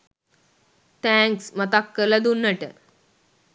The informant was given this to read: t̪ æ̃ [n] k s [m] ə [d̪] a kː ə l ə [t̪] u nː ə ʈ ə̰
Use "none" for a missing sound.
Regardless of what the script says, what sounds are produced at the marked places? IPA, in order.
ŋ, m, t̪, d̪

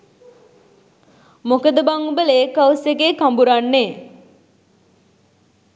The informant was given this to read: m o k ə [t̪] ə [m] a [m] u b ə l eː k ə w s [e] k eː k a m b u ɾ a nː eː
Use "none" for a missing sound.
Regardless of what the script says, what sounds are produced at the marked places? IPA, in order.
d̪, b, ŋ, e

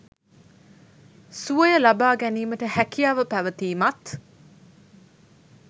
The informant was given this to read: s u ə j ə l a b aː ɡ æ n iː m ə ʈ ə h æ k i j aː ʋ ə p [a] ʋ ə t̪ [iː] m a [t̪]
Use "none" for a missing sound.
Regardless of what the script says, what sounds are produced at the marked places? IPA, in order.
æ, iː, t̪

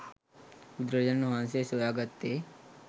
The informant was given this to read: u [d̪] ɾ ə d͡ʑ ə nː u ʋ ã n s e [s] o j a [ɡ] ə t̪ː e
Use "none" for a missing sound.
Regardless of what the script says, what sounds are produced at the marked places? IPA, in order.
d̪, s, ɡ

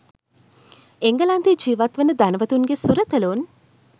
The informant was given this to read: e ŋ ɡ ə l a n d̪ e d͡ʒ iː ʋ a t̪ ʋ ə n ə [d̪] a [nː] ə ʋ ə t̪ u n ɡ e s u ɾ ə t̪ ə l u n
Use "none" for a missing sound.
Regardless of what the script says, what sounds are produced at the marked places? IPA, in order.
d̪, n

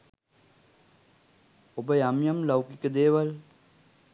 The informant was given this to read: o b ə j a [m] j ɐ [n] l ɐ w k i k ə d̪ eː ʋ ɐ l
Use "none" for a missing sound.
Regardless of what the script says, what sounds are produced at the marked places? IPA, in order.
m, m

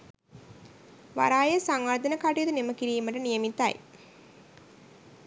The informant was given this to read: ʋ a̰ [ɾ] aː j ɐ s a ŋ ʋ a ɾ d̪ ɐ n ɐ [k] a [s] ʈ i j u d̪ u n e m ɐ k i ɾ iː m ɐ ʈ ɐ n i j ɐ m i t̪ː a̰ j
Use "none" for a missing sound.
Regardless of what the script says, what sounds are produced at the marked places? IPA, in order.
ɾ, k, none

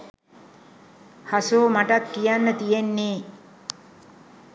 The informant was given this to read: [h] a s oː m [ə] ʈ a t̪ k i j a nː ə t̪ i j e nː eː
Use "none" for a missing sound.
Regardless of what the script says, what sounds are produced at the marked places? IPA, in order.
h, a

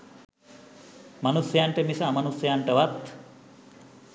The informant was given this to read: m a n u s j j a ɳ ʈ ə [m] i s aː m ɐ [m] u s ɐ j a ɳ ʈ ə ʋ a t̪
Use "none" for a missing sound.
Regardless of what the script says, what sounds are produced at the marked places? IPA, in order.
m, n

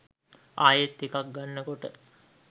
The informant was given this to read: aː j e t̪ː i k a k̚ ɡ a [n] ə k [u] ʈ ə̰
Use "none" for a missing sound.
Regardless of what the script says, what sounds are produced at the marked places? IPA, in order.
nː, o

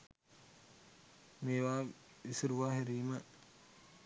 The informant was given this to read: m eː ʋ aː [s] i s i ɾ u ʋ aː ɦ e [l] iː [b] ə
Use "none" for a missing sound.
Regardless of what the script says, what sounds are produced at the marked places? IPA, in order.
none, ɾ, m

